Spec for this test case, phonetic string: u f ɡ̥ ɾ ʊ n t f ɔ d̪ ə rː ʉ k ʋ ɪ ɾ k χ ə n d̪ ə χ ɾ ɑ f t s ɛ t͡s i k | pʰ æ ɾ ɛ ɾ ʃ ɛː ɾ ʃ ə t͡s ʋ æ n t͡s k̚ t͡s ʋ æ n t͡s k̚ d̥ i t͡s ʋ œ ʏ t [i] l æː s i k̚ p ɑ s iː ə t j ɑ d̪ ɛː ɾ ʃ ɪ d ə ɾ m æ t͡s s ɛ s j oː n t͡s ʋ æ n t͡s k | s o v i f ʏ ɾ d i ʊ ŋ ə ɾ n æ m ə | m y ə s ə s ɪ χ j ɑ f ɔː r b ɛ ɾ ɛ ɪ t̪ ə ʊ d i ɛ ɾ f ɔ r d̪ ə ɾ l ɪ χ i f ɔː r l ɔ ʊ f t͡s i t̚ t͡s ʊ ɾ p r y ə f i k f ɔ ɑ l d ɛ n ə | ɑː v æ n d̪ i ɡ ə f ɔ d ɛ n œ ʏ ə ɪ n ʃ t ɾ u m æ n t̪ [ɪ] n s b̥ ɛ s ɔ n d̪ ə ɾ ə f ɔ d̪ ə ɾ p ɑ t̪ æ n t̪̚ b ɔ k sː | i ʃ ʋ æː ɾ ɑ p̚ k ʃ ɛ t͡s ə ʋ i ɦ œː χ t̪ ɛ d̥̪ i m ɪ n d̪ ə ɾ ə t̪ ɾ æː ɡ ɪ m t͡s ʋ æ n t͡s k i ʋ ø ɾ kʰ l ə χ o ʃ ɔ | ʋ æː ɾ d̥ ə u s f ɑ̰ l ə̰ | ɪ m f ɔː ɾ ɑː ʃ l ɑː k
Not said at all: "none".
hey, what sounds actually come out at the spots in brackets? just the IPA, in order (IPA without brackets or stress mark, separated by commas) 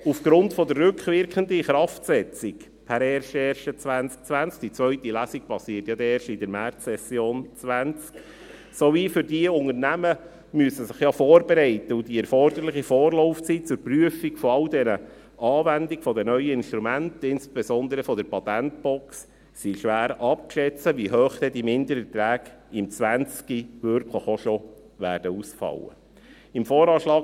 i, ɪ